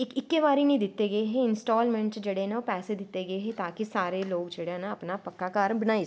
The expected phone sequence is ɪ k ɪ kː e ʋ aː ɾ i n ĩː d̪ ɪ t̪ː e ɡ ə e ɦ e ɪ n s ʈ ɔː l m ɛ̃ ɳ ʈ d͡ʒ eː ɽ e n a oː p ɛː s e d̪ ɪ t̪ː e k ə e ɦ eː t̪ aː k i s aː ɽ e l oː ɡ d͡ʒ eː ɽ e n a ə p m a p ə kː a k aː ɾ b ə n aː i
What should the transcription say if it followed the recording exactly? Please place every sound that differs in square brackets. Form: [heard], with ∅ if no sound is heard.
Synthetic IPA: ɪ k ɪ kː e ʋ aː ɾ i n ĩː d̪ ɪ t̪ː e ɡ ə e ɦ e ɪ n s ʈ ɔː l m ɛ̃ ɳ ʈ d͡ʒ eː ɽ e n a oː p ɛː s e d̪ ɪ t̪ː e [ɡ] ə e ɦ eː t̪ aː k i s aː [ɾ] e l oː ɡ d͡ʒ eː ɽ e n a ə p [n] a p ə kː a k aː ɾ b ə n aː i